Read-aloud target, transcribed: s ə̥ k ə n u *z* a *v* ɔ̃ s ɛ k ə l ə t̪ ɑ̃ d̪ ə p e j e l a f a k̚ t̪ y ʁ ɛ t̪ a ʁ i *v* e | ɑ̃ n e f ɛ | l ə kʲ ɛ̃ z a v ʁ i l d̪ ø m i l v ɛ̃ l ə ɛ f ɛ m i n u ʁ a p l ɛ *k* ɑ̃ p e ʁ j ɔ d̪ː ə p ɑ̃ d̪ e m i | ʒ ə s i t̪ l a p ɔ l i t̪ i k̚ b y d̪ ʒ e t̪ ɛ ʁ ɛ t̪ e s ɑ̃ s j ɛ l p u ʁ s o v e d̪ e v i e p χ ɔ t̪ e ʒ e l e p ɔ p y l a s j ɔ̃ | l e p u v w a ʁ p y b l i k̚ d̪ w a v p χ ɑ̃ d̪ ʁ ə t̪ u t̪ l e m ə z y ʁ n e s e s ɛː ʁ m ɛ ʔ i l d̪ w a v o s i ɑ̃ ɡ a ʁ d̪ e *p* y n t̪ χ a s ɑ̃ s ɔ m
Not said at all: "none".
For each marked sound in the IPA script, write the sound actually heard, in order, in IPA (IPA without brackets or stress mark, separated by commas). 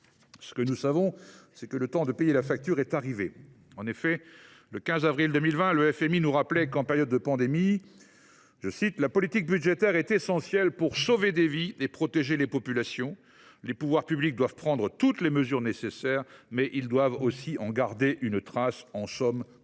s, v, v, k, ʔ